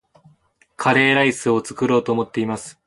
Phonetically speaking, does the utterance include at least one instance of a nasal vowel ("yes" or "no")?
no